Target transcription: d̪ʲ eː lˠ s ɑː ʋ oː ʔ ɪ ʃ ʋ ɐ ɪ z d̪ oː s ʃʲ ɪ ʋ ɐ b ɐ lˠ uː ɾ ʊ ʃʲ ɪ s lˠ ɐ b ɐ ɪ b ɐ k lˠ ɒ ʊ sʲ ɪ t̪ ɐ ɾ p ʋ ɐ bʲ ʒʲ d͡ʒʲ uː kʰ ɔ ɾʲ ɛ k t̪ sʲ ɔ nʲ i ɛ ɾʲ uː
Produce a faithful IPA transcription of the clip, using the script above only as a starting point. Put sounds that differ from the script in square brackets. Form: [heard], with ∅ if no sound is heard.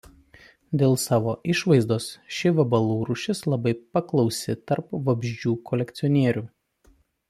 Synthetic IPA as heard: d̪ʲ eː lˠ s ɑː ʋ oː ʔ ɪ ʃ ʋ ɐ ɪ z d̪ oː s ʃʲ ɪ ʋ ɐ b ɐ lˠ uː ɾ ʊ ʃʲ ɪ s lˠ ɐ b ɐ ɪ [p] ɐ k lˠ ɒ ʊ sʲ ɪ t̪ ɐ ɾ p ʋ ɐ bʲ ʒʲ d͡ʒʲ uː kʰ ɔ [lʲ] ɛ k t̪ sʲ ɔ nʲ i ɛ ɾʲ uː